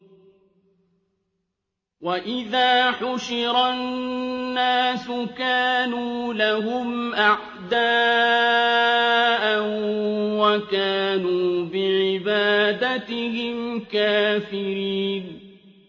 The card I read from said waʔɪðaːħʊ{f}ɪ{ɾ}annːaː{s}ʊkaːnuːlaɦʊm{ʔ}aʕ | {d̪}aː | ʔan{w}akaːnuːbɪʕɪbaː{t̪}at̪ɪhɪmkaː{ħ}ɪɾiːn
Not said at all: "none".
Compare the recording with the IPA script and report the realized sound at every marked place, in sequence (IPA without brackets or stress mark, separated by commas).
ʃ, ɾ, s, ʔ, d̪, w, d̪, f